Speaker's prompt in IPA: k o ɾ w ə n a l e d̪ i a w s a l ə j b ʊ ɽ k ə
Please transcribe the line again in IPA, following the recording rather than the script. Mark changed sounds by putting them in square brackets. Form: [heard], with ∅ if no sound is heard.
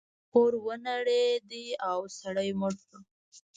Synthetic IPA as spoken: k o ɾ w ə n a [ɽ] e d̪ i a w s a [ɽ] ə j [m] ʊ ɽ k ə